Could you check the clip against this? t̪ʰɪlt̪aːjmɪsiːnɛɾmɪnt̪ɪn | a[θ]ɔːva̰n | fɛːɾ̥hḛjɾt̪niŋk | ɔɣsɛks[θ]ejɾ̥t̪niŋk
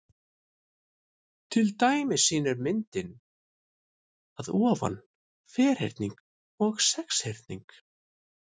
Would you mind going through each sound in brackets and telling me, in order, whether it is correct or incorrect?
incorrect: ð, incorrect: h

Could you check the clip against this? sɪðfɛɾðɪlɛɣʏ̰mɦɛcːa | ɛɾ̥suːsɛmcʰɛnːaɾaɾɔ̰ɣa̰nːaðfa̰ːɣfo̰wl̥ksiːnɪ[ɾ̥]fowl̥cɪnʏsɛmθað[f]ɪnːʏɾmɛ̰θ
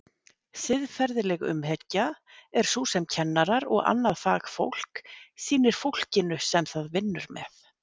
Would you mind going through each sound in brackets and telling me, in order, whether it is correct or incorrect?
correct, incorrect: v

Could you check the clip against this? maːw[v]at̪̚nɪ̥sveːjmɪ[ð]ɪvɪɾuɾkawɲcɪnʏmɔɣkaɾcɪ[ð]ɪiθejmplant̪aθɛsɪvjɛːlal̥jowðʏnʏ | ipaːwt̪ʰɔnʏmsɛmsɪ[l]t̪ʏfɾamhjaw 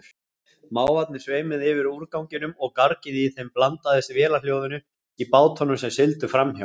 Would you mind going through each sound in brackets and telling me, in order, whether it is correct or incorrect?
correct, correct, correct, correct

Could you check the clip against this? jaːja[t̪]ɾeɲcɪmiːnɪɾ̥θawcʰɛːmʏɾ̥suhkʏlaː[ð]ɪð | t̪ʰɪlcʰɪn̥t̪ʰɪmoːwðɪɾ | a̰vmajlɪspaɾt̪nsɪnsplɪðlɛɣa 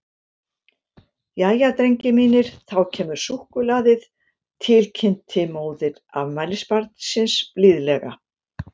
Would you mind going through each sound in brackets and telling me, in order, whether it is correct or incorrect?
correct, correct

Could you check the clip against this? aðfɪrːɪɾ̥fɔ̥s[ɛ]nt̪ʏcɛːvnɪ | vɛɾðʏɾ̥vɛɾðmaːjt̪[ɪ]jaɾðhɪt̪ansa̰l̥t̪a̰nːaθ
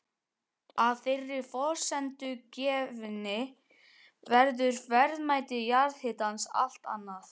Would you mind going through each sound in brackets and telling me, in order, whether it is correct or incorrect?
correct, correct

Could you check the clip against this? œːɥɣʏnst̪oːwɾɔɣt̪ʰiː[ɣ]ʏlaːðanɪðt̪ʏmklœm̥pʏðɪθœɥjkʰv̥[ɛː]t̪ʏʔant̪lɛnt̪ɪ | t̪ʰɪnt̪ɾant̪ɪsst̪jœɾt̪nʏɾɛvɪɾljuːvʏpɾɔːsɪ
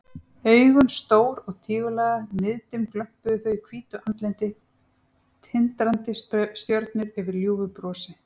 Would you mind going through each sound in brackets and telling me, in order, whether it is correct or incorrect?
correct, incorrect: iː

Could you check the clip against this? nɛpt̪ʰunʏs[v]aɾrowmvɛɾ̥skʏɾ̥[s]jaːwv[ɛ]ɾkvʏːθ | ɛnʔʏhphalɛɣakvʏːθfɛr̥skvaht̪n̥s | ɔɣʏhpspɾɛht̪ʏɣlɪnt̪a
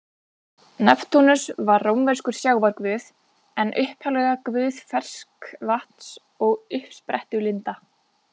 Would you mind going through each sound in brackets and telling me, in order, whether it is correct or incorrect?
correct, correct, incorrect: a

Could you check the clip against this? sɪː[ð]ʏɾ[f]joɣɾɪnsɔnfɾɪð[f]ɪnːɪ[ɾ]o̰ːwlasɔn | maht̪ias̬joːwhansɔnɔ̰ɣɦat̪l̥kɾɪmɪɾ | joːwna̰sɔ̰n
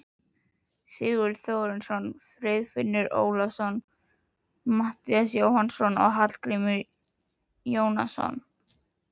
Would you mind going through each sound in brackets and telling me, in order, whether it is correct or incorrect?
incorrect: ɣ, incorrect: θ, correct, correct

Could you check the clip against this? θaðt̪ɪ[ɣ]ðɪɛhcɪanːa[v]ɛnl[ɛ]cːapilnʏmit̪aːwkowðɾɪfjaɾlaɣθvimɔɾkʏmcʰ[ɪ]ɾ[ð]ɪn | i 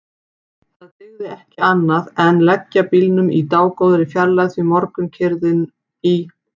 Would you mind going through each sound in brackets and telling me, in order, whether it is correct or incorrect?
correct, incorrect: ð, correct, correct, correct

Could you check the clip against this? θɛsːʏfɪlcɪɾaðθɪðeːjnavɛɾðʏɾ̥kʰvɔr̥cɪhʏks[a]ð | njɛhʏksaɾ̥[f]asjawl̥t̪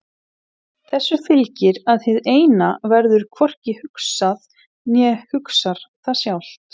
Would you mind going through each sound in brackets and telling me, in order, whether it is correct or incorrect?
correct, incorrect: θ

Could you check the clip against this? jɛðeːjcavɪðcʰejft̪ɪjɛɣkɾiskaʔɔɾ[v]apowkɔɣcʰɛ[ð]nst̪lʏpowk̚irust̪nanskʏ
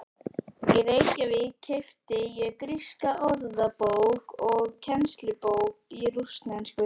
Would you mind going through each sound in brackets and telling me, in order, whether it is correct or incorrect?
incorrect: ð, incorrect: none

